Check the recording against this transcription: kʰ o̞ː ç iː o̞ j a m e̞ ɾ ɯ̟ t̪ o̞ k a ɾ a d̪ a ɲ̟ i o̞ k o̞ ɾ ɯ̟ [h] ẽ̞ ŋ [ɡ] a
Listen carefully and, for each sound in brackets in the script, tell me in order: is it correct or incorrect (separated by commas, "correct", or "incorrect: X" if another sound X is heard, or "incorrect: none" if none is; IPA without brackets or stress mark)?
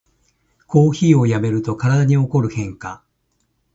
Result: correct, incorrect: k